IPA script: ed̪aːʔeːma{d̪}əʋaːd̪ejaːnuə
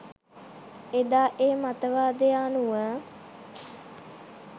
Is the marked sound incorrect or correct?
incorrect